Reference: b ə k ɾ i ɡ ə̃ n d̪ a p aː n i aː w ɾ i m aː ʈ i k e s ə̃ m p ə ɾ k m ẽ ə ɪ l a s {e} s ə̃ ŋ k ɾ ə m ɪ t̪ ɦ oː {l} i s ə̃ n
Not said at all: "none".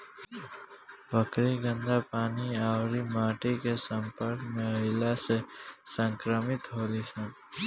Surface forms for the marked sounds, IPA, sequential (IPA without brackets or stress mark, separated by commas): e, l